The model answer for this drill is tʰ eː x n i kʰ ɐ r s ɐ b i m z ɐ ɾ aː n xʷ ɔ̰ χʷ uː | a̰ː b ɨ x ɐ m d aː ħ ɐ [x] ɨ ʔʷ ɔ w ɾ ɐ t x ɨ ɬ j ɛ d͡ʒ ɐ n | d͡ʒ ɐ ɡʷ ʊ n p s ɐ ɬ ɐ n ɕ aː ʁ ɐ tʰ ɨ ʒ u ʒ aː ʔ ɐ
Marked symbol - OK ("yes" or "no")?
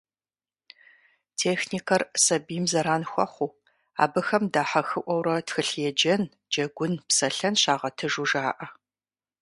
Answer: yes